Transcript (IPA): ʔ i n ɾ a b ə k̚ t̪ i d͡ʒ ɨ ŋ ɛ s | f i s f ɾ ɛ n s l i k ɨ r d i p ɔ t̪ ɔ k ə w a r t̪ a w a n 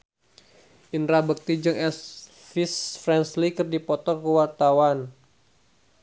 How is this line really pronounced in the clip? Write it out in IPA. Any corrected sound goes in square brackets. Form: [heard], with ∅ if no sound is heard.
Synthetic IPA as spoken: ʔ i n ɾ a b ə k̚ t̪ i d͡ʒ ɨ ŋ ɛ s | f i s f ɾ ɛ n s l i k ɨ r d i p ɔ t̪ ɔ k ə w a r t̪ a w a n

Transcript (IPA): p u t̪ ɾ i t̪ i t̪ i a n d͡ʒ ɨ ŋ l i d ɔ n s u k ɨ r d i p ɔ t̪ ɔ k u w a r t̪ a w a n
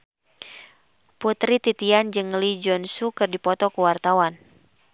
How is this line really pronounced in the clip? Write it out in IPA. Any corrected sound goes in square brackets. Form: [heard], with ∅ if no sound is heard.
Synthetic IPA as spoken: p u t̪ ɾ i t̪ i t̪ i a n d͡ʒ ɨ ŋ l i [d͡ʒ] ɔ n s u k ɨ r d i p ɔ t̪ ɔ k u w a r t̪ a w a n

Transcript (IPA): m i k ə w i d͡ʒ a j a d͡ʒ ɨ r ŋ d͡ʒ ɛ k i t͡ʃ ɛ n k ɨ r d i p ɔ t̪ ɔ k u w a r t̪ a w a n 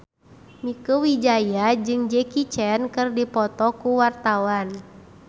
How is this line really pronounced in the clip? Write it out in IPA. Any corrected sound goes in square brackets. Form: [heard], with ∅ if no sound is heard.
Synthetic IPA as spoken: m i k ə w i d͡ʒ a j a d͡ʒ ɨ [∅] ŋ d͡ʒ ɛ k i t͡ʃ ɛ n k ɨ r d i p ɔ t̪ ɔ k u w a r t̪ a w a n

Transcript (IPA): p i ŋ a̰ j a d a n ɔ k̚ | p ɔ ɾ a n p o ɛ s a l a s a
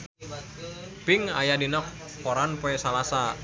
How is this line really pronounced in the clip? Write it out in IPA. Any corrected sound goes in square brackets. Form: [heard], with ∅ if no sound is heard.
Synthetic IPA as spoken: p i ŋ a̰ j a d [i] n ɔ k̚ | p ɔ ɾ a n p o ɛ s a l a s a

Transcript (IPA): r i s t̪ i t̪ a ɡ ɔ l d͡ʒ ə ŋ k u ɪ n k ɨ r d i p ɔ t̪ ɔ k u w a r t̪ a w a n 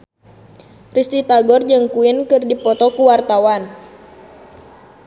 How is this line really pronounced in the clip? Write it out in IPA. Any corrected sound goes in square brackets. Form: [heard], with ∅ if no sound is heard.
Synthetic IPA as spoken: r i s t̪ i t̪ a ɡ ɔ [r] d͡ʒ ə ŋ k u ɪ n k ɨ r d i p ɔ t̪ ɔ k u w a r t̪ a w a n

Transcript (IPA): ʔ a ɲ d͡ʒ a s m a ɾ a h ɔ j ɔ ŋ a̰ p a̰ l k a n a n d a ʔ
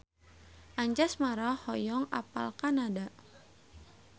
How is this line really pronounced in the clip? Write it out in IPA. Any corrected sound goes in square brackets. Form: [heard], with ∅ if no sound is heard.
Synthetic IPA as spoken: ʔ a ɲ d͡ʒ a s m a ɾ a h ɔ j ɔ ŋ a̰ p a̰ l k a n a [∅] d a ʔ

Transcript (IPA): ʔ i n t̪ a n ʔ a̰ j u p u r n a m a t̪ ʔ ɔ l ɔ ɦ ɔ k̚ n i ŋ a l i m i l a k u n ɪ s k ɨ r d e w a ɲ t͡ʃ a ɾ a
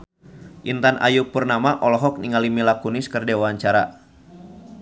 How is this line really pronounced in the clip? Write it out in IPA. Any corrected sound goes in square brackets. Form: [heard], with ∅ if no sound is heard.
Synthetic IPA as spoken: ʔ i n t̪ a n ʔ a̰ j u p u r n a m a [∅] ʔ ɔ l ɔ ɦ ɔ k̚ n i ŋ a l i m i l a k u n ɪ s k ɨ r d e w a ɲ t͡ʃ a ɾ a

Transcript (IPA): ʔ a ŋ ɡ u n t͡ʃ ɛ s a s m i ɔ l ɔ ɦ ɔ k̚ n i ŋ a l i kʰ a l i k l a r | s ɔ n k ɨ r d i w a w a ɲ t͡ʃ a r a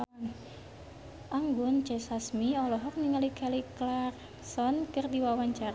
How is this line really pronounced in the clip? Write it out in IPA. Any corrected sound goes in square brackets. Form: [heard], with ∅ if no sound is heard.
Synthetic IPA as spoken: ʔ a ŋ ɡ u n t͡ʃ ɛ s a s m i ɔ l ɔ ɦ ɔ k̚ n i ŋ a l i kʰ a l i k l a r | s ɔ n k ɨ r d i w a w a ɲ t͡ʃ a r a

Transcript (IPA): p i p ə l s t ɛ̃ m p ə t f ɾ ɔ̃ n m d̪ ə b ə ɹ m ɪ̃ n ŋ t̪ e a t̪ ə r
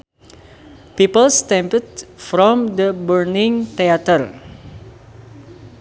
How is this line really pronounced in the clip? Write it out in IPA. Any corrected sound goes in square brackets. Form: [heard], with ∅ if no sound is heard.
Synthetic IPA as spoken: p i p ə l s t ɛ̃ m p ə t f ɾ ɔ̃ [∅] m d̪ ə b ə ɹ [n] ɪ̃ [∅] ŋ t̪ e a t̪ ə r

